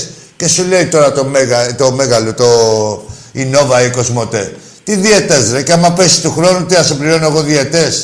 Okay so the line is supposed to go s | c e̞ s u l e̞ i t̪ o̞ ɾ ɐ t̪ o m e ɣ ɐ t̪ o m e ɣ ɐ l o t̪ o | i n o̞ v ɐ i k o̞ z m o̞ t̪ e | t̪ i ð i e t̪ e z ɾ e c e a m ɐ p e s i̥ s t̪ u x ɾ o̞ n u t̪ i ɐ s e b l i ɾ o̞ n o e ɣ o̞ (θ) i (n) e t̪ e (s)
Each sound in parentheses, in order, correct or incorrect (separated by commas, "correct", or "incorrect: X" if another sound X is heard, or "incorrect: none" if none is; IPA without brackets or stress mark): incorrect: ð, incorrect: none, correct